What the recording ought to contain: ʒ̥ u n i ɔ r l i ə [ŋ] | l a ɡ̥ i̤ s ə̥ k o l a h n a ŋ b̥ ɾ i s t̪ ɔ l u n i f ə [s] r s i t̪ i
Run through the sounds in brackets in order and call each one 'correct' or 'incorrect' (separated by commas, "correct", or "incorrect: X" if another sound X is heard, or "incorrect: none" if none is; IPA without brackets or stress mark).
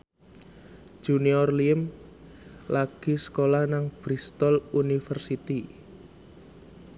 incorrect: m, incorrect: none